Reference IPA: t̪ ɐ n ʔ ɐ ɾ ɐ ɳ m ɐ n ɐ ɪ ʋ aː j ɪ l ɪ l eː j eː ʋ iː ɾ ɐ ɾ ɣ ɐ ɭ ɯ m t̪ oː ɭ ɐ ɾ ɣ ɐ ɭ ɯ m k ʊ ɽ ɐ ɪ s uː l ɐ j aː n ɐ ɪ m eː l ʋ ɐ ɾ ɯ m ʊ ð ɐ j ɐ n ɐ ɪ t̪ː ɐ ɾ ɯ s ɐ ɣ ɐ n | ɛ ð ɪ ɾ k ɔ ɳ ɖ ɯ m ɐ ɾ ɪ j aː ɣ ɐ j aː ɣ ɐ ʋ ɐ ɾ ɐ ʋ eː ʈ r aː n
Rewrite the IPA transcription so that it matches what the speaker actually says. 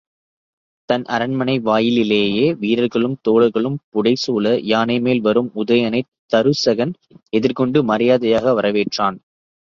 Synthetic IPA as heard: t̪ ɐ n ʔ ɐ ɾ ɐ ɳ m ɐ n ɐ ɪ ʋ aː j ɪ l ɪ l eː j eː ʋ iː ɾ ɐ ɾ ɣ ɐ ɭ ɯ m t̪ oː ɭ ɐ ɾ ɣ ɐ ɭ ɯ m p ʊ ɽ ɐ ɪ s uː l ɐ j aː n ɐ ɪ m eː l ʋ ɐ ɾ ɯ m ʊ ð ɐ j ɐ n ɐ ɪ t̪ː ɐ ɾ ɯ s ɐ ɣ ɐ n | ɛ ð ɪ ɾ k ɔ ɳ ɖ ɯ m ɐ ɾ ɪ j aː ð ɐ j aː ɣ ɐ ʋ ɐ ɾ ɐ ʋ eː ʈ r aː n